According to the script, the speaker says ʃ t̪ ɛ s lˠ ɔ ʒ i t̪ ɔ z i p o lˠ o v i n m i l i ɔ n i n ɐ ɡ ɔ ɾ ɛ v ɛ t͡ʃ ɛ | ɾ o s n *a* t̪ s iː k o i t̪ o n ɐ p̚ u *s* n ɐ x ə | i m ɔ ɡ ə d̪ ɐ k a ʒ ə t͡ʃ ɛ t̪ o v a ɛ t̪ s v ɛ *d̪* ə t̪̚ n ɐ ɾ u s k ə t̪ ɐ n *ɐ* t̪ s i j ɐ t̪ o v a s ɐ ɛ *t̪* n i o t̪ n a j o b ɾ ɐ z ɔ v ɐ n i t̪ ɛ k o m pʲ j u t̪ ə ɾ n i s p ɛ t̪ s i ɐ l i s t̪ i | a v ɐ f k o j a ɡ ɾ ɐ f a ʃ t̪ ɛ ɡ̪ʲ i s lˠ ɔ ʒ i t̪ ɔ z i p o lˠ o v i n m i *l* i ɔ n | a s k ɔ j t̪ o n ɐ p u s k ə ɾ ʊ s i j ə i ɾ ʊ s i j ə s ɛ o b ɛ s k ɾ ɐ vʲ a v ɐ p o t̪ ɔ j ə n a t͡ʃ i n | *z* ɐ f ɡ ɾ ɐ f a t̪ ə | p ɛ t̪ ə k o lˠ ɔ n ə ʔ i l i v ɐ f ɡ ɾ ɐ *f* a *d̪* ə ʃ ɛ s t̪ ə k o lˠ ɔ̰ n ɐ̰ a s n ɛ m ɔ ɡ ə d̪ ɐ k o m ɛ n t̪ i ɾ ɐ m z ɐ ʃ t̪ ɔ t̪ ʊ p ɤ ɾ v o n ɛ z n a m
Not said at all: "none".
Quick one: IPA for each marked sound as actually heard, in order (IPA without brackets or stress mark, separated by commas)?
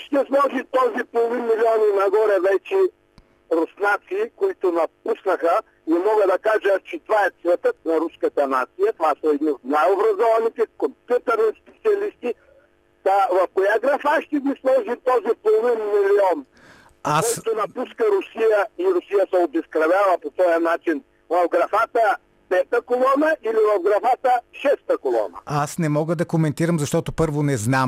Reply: a, s, t̪, a, d̪, l, v, f, t̪